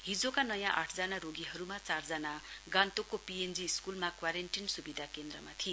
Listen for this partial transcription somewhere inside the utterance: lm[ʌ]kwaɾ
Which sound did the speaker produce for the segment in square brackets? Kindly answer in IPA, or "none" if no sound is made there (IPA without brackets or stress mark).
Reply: a